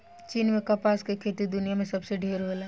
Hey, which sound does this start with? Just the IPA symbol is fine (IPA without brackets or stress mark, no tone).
t͡ʃ